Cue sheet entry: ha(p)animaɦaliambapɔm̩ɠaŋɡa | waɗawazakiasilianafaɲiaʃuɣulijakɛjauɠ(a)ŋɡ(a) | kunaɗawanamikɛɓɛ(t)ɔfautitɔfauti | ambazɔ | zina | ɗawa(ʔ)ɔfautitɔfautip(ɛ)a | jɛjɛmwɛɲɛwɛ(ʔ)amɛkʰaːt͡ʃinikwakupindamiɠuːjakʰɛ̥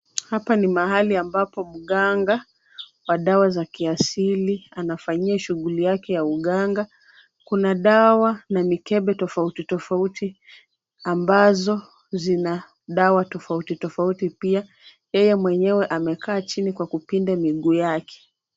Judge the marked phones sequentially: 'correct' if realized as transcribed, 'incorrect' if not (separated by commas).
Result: correct, correct, correct, correct, incorrect, incorrect, correct